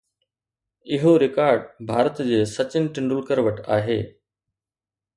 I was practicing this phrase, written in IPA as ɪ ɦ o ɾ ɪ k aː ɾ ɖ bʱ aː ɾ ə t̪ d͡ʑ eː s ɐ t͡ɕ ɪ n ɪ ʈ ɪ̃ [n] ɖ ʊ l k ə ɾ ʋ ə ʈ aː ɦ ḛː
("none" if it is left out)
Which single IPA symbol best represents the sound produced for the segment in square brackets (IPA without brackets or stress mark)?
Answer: ɳ